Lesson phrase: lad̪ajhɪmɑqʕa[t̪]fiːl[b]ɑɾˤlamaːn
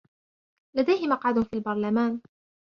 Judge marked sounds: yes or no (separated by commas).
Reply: no, yes